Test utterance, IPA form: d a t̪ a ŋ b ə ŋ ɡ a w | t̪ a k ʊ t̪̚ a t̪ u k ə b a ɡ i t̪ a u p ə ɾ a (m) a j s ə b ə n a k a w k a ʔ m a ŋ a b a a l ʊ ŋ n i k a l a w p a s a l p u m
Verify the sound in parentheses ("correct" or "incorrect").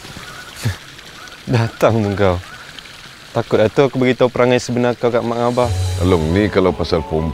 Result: incorrect